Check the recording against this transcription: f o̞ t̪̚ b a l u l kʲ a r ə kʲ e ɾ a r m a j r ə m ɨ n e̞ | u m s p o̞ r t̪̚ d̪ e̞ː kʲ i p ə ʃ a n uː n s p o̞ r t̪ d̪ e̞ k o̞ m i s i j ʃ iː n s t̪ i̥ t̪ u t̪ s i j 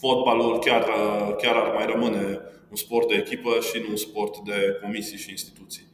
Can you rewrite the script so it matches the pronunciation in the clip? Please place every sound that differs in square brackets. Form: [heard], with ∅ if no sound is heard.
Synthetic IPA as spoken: f o̞ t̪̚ b a l u l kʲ a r ə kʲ [a] ɾ a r m a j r ə m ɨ n e̞ | u [n] s p o̞ r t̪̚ d̪ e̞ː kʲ i p ə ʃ [i] n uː n s p o̞ r t̪ d̪ e̞ k o̞ m i s i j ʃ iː n s t̪ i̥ t̪ u t̪ s i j